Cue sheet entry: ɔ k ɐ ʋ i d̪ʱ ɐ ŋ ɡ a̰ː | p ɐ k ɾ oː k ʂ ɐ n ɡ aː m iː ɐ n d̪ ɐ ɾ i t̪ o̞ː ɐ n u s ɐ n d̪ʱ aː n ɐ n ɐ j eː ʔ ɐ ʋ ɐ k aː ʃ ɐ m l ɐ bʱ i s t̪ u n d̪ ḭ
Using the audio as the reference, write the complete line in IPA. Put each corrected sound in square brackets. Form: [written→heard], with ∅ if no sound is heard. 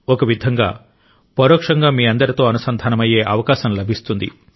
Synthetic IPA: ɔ k ɐ ʋ i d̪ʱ ɐ ŋ ɡ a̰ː | p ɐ [k→∅] ɾ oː k ʂ ɐ [n→ŋ] ɡ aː m iː ɐ n d̪ ɐ ɾ i t̪ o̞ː ɐ n u s ɐ n d̪ʱ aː n ɐ [n→m] ɐ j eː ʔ ɐ ʋ ɐ k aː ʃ ɐ m l ɐ bʱ i s t̪ u n d̪ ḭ